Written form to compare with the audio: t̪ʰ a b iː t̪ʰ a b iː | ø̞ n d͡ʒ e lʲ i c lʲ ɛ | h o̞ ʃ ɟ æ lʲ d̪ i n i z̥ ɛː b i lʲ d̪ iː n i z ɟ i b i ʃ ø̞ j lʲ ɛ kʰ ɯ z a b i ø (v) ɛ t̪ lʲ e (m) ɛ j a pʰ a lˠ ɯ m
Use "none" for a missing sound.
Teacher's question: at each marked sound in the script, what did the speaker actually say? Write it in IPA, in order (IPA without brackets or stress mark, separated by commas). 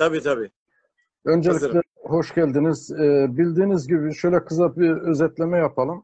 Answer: z, m